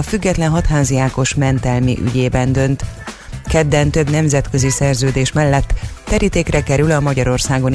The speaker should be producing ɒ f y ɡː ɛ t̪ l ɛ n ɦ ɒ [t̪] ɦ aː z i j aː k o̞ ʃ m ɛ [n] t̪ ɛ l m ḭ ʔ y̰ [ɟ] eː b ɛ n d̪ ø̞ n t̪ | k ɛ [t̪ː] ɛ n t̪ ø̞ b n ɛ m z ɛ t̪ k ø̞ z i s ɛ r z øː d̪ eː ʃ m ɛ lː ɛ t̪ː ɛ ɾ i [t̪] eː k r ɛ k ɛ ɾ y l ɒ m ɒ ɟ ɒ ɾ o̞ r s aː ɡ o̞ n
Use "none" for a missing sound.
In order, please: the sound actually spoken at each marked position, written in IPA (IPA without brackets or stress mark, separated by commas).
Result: t̪, n, ɟ, d̪ː, t̪